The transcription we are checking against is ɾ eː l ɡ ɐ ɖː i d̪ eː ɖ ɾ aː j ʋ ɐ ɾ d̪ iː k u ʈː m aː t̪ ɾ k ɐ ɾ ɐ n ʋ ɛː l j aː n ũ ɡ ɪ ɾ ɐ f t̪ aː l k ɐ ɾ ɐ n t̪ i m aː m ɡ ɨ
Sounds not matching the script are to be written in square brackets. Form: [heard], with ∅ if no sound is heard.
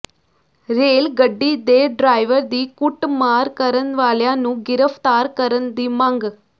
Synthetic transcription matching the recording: ɾ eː l ɡ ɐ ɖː i d̪ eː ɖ ɾ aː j ʋ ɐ ɾ d̪ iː k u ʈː m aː [∅] ɾ k ɐ ɾ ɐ n ʋ [aː] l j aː n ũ ɡ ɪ ɾ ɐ f t̪ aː [ɾ] k ɐ ɾ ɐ n [d̪] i m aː [ŋ] ɡ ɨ